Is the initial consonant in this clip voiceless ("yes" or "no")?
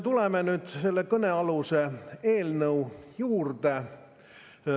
yes